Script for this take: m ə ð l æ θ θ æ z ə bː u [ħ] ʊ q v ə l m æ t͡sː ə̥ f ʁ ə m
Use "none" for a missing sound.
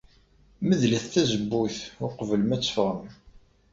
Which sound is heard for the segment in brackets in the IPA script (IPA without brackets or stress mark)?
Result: θ